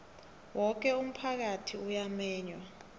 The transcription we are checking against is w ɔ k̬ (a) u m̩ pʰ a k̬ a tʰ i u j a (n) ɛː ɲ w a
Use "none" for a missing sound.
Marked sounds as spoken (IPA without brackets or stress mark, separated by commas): ɛ, m